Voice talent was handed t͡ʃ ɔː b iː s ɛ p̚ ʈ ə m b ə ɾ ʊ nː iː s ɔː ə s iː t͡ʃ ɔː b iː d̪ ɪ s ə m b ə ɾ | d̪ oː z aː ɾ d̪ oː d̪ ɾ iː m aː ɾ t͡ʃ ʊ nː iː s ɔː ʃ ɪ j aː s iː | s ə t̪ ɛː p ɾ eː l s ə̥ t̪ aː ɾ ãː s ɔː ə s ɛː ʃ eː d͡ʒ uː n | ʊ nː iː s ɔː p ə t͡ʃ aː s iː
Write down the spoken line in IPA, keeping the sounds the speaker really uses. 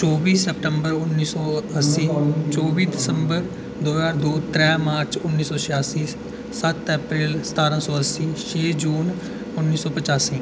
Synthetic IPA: t͡ʃ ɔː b iː s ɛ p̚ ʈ ə m b ə ɾ ʊ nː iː s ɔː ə s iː t͡ʃ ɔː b iː d̪ ɪ s ə m b ə ɾ | d̪ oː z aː ɾ d̪ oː t̪ ɾ ɛː m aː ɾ t͡ʃ ʊ nː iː s ɔː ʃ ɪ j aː s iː | s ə t̪ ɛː p ɾ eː l s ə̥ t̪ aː ɾ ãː s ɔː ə s iː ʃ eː d͡ʒ uː n | ʊ nː iː s ɔː p ə t͡ʃ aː s iː